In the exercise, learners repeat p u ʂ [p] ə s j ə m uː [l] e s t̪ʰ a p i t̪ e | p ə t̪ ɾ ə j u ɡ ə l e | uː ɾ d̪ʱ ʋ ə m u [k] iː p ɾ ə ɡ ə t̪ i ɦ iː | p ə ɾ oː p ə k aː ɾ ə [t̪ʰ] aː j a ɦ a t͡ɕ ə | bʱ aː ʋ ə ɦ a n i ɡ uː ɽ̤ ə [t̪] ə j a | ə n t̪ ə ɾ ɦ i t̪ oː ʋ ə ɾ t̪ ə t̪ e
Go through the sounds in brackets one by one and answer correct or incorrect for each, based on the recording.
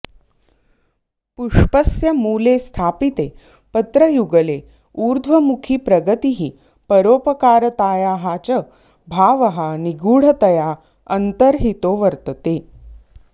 correct, correct, incorrect: kʰ, incorrect: t̪, correct

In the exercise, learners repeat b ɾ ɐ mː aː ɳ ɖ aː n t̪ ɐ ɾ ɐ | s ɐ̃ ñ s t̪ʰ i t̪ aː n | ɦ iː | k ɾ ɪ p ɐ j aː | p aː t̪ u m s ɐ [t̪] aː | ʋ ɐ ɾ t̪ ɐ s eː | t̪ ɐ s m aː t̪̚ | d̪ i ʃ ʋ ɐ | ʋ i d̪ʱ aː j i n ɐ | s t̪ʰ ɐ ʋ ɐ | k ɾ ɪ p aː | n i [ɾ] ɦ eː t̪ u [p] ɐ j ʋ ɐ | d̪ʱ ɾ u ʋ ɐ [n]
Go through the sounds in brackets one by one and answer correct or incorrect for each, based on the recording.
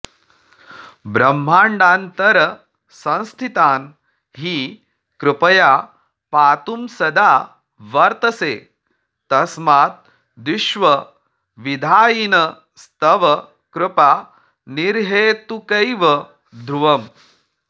incorrect: d̪, correct, incorrect: k, incorrect: m

